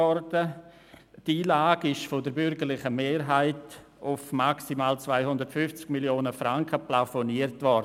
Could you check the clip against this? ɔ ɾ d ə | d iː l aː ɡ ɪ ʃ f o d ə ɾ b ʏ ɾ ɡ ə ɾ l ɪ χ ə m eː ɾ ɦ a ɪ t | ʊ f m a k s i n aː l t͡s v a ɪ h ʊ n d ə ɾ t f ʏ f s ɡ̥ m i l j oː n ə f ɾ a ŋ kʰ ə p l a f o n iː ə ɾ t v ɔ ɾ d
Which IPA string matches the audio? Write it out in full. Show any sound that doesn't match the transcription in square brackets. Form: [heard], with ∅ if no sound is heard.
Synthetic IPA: ɔ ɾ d ə | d iː l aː ɡ ɪ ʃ f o d ə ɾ b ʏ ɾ ɡ ə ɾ l ɪ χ ə m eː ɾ ɦ a ɪ t | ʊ f m a k s i [m] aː l t͡s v a ɪ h ʊ n d ə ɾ t f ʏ f [t͡s] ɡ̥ m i l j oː n ə f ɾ a ŋ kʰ ə p l a f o n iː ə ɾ t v ɔ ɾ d